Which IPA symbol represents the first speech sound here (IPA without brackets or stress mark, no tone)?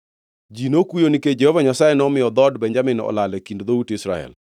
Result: d͡ʒ